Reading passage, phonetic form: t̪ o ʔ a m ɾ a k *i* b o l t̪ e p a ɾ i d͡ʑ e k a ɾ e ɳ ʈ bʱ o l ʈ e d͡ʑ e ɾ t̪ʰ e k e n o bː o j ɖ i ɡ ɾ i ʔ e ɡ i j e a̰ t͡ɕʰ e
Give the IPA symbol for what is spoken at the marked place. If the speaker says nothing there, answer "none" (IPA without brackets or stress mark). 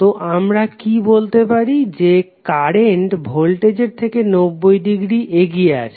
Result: i